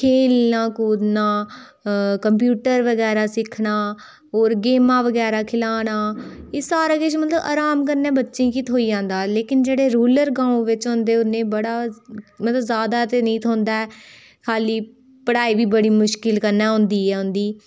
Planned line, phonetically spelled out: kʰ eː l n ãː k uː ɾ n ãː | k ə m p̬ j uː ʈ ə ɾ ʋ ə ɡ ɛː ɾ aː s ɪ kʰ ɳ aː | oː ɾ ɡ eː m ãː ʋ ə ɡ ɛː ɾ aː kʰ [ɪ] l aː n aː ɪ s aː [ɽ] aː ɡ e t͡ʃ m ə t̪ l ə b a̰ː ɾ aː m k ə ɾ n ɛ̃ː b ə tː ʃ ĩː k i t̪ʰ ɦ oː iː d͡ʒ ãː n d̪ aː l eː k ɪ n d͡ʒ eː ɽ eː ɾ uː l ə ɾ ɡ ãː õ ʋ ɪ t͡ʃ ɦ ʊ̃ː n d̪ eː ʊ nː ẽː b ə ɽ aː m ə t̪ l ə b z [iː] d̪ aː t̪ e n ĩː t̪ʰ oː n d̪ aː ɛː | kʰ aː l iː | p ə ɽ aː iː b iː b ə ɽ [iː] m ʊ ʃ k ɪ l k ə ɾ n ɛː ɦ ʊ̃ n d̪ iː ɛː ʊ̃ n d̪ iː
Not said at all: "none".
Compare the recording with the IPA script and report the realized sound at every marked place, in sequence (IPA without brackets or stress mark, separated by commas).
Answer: ɪ, ɾ, aː, iː